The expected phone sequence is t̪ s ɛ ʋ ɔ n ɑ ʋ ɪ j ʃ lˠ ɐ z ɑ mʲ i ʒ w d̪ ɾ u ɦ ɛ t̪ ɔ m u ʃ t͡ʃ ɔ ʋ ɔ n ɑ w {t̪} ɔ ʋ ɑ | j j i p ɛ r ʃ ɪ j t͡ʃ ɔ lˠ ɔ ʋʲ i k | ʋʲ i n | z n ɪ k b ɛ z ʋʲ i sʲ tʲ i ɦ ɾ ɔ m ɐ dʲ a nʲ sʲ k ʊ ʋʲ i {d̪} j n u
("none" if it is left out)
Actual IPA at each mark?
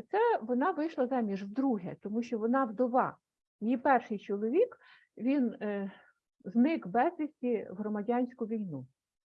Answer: d̪, none

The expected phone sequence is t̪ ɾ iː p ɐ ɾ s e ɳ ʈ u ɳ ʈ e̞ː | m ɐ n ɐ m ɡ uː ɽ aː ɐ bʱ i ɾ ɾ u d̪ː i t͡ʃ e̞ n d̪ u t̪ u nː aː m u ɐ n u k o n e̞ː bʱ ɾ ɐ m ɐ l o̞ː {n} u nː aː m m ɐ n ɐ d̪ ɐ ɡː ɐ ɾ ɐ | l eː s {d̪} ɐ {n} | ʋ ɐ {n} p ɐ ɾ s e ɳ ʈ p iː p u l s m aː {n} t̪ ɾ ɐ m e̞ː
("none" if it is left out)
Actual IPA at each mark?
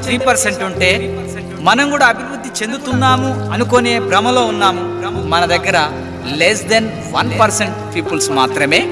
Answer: none, d̪, n, n, none

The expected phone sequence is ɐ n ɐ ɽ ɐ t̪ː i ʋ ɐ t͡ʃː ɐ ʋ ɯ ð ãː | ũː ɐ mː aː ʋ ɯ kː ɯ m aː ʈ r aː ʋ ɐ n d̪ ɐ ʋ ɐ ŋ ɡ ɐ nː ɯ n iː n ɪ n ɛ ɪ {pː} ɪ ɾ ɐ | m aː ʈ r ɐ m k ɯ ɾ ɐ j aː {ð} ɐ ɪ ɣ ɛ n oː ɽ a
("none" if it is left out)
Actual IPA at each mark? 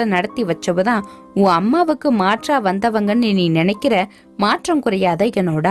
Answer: kː, ð

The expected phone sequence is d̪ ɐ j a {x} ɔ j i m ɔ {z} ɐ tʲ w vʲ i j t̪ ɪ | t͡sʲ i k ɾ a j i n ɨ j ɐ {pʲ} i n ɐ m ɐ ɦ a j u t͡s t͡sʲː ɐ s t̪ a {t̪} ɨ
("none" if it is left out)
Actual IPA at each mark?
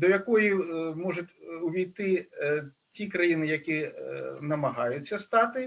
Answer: k, ʐ, kʲ, t̪

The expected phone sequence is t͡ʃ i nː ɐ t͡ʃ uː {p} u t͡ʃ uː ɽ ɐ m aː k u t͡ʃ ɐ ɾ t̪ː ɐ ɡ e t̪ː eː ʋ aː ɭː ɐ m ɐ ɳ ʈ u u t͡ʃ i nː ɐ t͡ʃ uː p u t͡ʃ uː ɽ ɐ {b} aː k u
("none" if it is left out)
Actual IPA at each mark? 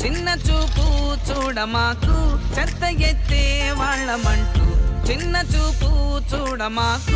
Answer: p, m

